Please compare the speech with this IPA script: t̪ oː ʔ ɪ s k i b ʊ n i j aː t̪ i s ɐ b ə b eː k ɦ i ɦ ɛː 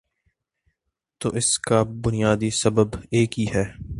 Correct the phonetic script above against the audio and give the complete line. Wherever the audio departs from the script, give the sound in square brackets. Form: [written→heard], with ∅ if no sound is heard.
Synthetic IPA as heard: t̪ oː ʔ ɪ s k [i→a] b ʊ n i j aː [t̪→d̪] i s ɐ b ə b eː k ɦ i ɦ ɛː